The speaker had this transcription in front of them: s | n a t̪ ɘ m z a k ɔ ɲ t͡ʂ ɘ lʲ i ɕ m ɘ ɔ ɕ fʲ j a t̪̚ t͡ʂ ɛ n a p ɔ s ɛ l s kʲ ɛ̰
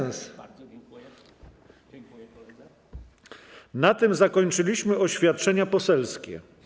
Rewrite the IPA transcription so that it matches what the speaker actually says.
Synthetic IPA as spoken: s | n a t̪ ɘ m z a k ɔ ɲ t͡ʂ ɘ lʲ i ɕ m ɘ ɔ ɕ fʲ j a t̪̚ t͡ʂ ɛ ɲ a p ɔ s ɛ l s kʲ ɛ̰

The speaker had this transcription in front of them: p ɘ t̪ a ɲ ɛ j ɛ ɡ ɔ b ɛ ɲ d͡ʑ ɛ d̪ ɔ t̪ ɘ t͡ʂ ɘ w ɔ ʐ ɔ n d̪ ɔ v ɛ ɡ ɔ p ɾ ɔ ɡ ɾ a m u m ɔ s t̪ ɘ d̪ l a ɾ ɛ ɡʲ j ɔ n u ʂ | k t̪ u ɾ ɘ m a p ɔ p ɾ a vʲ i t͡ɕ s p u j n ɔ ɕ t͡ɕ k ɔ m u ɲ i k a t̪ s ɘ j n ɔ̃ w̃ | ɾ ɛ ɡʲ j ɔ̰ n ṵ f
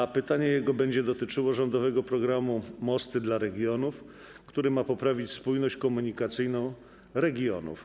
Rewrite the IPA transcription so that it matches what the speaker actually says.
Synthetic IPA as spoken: p ɘ t̪ a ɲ ɛ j ɛ ɡ ɔ b ɛ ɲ d͡ʑ ɛ d̪ ɔ t̪ ɘ t͡ʂ ɘ w ɔ ʐ ɔ n d̪ ɔ v ɛ ɡ ɔ p ɾ ɔ ɡ ɾ a m u m ɔ s t̪ ɘ d̪ l a ɾ ɛ ɡʲ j ɔ n u f | k t̪ u ɾ ɘ m a p ɔ p ɾ a vʲ i t͡ɕ s p u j n ɔ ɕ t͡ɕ k ɔ m u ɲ i k a t̪ s ɘ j n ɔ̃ w̃ | ɾ ɛ ɡʲ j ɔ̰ n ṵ f

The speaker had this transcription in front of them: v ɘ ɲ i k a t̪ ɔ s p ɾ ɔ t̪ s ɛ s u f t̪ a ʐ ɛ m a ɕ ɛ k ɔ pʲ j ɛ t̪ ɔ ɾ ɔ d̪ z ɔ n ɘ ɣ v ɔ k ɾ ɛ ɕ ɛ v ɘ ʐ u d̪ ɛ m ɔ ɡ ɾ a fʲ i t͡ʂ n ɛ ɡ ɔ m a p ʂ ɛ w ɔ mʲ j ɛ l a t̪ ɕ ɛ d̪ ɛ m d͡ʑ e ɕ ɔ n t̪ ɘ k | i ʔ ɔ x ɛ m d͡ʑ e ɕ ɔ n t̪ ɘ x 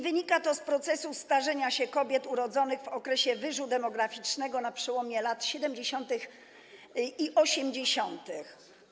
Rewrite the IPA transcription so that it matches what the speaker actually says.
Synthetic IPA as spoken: v ɘ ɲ i k a t̪ ɔ s p ɾ ɔ t̪ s ɛ s u s t̪ a ʐ ɛ ɲ a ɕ ɛ k ɔ bʲ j ɛ t̪ u ɾ ɔ d̪ z ɔ n ɘ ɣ v ɔ k ɾ ɛ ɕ ɛ v ɘ ʐ u d̪ ɛ m ɔ ɡ ɾ a fʲ i t͡ʂ n ɛ ɡ ɔ n a p ʂ ɛ w ɔ mʲ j ɛ l a t̪ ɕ ɛ d̪ ɛ m d͡ʑ e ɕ ɔ n t̪ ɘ x | i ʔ ɔ ɕ ɛ m d͡ʑ e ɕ ɔ n t̪ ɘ x

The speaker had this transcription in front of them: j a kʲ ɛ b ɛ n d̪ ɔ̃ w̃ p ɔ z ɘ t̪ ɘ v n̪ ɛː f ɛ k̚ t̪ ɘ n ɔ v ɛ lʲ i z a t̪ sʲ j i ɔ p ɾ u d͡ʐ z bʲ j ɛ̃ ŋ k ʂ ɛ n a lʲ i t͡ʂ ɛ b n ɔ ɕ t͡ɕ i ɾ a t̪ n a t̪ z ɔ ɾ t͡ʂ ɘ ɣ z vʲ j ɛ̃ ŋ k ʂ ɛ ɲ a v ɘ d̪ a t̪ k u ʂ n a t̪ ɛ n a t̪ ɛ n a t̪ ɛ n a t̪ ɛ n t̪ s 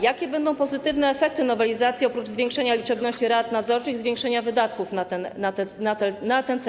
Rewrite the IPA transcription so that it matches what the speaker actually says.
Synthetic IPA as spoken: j a kʲ ɛ b ɛ n d̪ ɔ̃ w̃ p ɔ z ɘ t̪ ɘ v n̪ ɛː f ɛ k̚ t̪ ɘ n ɔ v ɛ lʲ i z a t̪ sʲ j i ɔ p ɾ u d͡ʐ z vʲ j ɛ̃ ŋ k ʂ ɛ ɲ a lʲ i t͡ʂ ɛ b n ɔ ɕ t͡ɕ i ɾ a t̪ n a d̪ z ɔ ɾ t͡ʂ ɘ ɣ z vʲ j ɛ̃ ŋ k ʂ ɛ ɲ a v ɘ d̪ a t̪ k u f n a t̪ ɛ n a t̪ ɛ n a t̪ ɛ n a t̪ ɛ n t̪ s

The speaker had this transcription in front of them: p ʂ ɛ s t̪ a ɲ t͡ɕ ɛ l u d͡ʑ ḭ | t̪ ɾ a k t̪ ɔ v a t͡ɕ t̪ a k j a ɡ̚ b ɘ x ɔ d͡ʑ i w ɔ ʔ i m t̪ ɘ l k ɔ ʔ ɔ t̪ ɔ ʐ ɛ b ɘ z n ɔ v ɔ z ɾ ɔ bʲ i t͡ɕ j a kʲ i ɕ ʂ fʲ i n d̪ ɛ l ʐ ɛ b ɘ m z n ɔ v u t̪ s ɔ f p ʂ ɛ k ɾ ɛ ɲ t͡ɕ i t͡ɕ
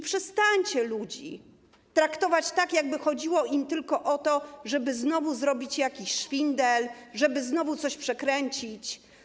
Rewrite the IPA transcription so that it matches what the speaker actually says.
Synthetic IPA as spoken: p ʂ ɛ s t̪ a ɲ t͡ɕ ɛ l u d͡ʑ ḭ | t̪ ɾ a k t̪ ɔ v a t͡ɕ t̪ a k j a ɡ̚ b ɘ x ɔ d͡ʑ i w ɔ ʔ i m t̪ ɘ l k ɔ ʔ ɔ t̪ ɔ ʐ ɛ b ɘ z n ɔ v u z ɾ ɔ bʲ i t͡ɕ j a kʲ i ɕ ʂ fʲ i n d̪ ɛ l ʐ ɛ b ɘ z n ɔ v u t̪ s ɔ ɕ p ʂ ɛ k ɾ ɛ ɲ t͡ɕ i t͡ɕ

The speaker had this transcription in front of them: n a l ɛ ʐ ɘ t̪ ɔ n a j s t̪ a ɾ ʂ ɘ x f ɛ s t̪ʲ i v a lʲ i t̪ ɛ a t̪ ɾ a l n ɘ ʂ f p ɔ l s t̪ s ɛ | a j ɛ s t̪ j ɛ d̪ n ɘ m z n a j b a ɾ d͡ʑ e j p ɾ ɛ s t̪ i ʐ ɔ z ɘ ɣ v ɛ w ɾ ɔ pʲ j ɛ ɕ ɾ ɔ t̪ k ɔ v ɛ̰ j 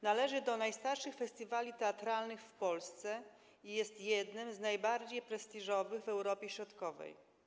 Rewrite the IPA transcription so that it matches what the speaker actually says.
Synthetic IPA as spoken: n a l ɛ ʐ ɘ d̪ ɔ n a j s t̪ a ɾ ʂ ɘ x f ɛ s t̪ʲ i v a lʲ i t̪ ɛ a t̪ ɾ a l n ɘ x f p ɔ l s t̪ s ɛ | i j ɛ s t̪ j ɛ d̪ n ɘ m z n a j b a ɾ d͡ʑ e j p ɾ ɛ s t̪ i ʐ ɔ v ɘ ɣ v ɛ w ɾ ɔ pʲ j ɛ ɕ ɾ ɔ t̪ k ɔ v ɛ̰ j

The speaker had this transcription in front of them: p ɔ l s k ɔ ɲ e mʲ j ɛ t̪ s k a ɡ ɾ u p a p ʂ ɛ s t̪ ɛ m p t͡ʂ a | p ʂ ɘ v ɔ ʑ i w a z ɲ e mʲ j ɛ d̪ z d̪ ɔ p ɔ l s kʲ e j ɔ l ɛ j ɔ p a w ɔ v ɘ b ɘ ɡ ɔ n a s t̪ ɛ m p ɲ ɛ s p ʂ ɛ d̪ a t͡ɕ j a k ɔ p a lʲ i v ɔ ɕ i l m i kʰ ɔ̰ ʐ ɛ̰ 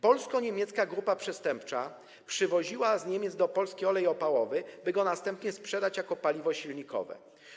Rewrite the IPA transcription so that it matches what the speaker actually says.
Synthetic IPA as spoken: p ɔ l s k ɔ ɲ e mʲ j ɛ t̪ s k a ɡ ɾ u p a p ʂ ɛ s t̪ ɛ m p t͡ʂ a | p ʂ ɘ v ɔ ʑ i w a z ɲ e mʲ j ɛ d̪ z d̪ ɔ p ɔ l s kʲ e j ɔ l ɛ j ɔ p a w ɔ v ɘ b ɘ ɡ ɔ n a s t̪ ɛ m p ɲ ɛ s p ʂ ɛ d̪ a t͡ɕ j a k ɔ p a lʲ i v ɔ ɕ i l ɲ i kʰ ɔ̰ v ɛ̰

